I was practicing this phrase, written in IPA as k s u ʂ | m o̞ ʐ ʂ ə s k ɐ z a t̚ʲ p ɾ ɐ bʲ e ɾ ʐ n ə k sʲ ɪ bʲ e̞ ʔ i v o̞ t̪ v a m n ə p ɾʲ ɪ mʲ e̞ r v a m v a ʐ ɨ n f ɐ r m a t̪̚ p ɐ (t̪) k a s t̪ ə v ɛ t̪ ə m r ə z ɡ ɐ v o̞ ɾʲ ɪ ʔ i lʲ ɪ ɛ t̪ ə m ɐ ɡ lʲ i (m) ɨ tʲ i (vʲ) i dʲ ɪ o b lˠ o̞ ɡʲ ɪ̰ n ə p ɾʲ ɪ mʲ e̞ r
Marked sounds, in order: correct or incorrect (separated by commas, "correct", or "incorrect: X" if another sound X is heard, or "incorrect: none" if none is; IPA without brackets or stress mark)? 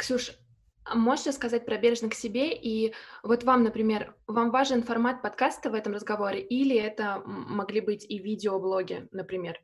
correct, incorrect: b, correct